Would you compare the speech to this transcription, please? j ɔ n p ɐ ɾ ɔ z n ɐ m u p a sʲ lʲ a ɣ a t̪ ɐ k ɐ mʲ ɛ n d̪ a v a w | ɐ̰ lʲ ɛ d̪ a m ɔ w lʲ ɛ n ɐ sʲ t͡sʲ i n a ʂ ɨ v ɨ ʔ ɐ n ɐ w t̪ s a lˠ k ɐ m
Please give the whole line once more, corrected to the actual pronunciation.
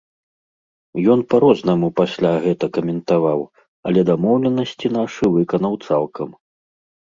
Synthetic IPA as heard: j ɔ n p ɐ ɾ ɔ z n ɐ m u p a sʲ lʲ a ɣ ɛ t̪ ɐ k ɐ mʲ ɛ n t̪ a v a w | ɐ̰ lʲ ɛ d̪ a m ɔ w lʲ ɛ n ɐ sʲ t͡sʲ i n a ʂ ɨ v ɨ k ɐ n ɐ w t̪ s a lˠ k ɐ m